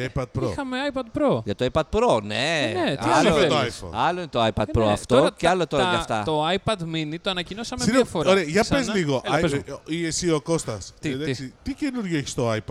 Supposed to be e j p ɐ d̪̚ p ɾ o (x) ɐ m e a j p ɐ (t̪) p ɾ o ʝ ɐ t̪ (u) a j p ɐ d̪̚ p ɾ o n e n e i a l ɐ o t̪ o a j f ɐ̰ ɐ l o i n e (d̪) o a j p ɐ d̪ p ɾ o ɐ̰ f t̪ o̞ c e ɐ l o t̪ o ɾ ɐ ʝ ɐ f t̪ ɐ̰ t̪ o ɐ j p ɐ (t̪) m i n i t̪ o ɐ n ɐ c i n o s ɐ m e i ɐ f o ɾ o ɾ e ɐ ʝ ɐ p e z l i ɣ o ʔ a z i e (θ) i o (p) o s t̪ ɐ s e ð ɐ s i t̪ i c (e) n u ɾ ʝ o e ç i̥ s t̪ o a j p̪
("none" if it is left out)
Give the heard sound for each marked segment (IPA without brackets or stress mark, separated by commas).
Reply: x, d̪, o, t̪, d̪, s, k, e